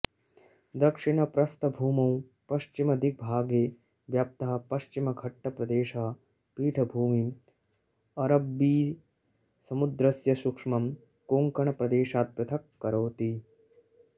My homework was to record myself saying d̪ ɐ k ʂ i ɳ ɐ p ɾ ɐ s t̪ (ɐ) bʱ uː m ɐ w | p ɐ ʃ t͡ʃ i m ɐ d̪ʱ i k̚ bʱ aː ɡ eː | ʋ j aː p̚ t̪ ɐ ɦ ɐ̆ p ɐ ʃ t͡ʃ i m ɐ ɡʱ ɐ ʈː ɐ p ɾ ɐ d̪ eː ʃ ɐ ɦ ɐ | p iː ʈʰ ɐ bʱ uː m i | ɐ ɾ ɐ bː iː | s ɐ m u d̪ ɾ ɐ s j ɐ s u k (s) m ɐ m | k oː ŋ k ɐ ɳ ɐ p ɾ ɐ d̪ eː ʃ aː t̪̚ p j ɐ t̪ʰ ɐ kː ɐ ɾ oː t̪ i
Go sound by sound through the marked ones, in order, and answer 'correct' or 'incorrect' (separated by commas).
correct, incorrect